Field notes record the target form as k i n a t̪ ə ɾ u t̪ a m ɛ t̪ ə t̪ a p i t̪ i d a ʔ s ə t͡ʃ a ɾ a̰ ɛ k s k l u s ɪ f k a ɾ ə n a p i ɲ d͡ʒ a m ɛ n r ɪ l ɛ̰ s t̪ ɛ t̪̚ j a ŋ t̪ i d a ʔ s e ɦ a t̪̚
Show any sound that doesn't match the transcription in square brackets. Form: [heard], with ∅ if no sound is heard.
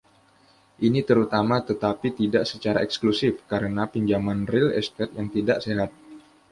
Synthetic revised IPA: [ʔ] i n [i] t̪ ə ɾ u t̪ a m [a] t̪ ə t̪ a p i t̪ i d a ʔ s ə t͡ʃ a ɾ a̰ ɛ k s k l u s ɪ f k a ɾ ə n a p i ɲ d͡ʒ a m [a] n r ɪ l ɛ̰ s t̪ ɛ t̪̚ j a ŋ t̪ i d a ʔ s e ɦ a t̪̚